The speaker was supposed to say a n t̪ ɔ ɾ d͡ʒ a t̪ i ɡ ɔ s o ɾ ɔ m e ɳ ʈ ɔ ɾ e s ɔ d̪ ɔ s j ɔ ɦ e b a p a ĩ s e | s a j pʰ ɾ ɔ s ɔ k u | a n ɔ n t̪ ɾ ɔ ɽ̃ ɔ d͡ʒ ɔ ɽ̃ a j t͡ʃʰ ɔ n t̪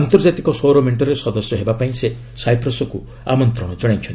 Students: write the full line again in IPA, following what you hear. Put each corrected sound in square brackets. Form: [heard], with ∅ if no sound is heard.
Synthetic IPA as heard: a n t̪ ɔ ɾ d͡ʒ a t̪ i [k] ɔ s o ɾ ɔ m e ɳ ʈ ɔ ɾ e s ɔ d̪ ɔ s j ɔ ɦ e b a p a ĩ s e | s a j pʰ ɾ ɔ s ɔ k u | a [m] ɔ n t̪ ɾ ɔ ɽ̃ ɔ d͡ʒ ɔ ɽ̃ a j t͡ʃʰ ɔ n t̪

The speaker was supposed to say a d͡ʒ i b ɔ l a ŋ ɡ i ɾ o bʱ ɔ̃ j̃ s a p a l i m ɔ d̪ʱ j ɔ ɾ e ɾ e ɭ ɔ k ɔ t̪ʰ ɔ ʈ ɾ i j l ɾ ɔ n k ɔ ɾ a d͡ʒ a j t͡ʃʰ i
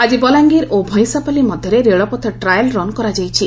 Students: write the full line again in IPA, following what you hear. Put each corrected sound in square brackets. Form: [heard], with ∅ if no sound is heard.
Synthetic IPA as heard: a d͡ʒ i b ɔ l a ŋ ɡ i ɾ o bʱ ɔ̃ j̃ s a p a l i m ɔ d̪ʱ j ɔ ɾ e ɾ e ɭ ɔ [p] ɔ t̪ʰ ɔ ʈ ɾ [a] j l ɾ ɔ n k ɔ ɾ a d͡ʒ a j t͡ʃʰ i

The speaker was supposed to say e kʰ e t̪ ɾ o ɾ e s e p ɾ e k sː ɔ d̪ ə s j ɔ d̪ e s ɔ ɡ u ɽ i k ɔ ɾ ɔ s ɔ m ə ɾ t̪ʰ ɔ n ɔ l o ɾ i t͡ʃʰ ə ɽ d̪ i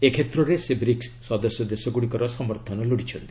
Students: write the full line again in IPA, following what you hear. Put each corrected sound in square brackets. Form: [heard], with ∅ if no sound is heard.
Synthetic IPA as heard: e kʰ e t̪ ɾ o ɾ e s e [b] ɾ [i] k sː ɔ d̪ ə s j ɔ d̪ e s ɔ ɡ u ɽ i k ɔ ɾ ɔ s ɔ m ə ɾ t̪ʰ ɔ n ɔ l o [ɽ] i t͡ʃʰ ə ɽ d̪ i

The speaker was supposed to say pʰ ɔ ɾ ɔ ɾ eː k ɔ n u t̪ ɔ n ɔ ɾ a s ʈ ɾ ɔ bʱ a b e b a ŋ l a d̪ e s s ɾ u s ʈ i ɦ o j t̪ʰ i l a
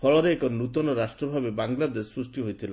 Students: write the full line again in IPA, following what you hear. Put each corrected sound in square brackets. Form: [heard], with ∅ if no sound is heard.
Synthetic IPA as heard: pʰ ɔ [ɭ] ɔ ɾ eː k ɔ n u t̪ ɔ n ɔ ɾ a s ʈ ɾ ɔ bʱ a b e b a ŋ l a d̪ e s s ɾ u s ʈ i ɦ o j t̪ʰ i l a

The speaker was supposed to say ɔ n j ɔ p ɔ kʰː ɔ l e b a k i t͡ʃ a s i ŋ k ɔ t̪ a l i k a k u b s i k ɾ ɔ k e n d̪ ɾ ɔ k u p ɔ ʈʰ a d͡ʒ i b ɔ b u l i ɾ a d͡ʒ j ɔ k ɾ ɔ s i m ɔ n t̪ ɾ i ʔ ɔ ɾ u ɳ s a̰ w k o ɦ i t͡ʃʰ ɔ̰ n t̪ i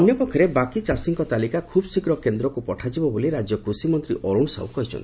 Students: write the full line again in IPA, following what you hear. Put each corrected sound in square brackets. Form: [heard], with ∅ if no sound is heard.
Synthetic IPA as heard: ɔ n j ɔ p ɔ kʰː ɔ [ɾ] e b a k i t͡ʃ a s i ŋ k ɔ t̪ a l i k a [kʰ] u b s i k ɾ ɔ k e n d̪ ɾ ɔ k u p ɔ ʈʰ a d͡ʒ i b ɔ b [o] l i ɾ a d͡ʒ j ɔ k ɾ [u] s i m ɔ n t̪ ɾ i ʔ ɔ ɾ u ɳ s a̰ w k [ɔ] ɦ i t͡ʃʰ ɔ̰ n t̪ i

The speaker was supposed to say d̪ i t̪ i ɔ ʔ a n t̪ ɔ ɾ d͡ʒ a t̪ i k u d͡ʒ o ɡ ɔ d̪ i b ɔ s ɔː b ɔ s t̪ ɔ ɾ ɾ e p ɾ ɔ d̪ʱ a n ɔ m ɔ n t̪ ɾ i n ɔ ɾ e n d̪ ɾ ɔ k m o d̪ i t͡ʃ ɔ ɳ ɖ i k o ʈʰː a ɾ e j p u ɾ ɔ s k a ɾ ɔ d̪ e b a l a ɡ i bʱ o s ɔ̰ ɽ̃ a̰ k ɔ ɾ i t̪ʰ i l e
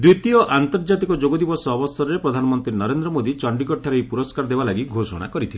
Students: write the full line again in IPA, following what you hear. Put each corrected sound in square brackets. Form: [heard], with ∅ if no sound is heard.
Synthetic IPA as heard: d̪ i t̪ i ɔ ʔ a n t̪ ɔ ɾ d͡ʒ a t̪ i k [ɔ] d͡ʒ o ɡ ɔ d̪ i b ɔ s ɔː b ɔ s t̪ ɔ ɾ ɾ e p ɾ ɔ d̪ʱ a n ɔ m ɔ n t̪ ɾ i n ɔ ɾ e n d̪ ɾ ɔ [∅] m o d̪ i t͡ʃ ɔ ɳ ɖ i k [ɔ] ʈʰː a ɾ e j p u ɾ ɔ s k a ɾ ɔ d̪ e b a l a ɡ i [ɡʱ] o s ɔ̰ ɽ̃ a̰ k ɔ ɾ i t̪ʰ i l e

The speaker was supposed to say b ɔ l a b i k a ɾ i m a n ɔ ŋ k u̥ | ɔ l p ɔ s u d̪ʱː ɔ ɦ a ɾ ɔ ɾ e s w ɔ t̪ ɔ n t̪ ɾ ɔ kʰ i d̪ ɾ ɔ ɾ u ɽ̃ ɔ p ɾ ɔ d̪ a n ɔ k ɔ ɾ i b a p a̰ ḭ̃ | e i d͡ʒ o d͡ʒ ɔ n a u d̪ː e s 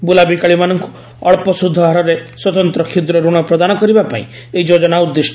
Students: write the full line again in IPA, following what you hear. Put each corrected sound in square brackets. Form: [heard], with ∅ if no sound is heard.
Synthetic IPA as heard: b [u] l a b i k a [ɭ] i m a n ɔ ŋ k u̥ | ɔ [ɭ] p ɔ s u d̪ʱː ɔ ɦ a ɾ ɔ ɾ e s w ɔ t̪ ɔ n t̪ ɾ ɔ kʰ i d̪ ɾ ɔ ɾ u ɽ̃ ɔ p ɾ ɔ d̪ a n ɔ k ɔ ɾ i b a p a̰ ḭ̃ | e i d͡ʒ o d͡ʒ ɔ n a u d̪ː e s

